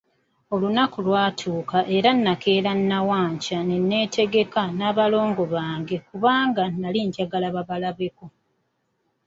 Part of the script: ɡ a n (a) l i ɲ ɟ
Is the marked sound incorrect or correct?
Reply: correct